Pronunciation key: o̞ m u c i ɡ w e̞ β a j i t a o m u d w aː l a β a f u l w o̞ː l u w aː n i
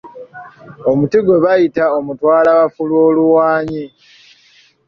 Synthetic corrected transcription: o̞ m u t i ɡ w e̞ β a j i t a o m u t w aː l a β a f u l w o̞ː l u w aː ɲ i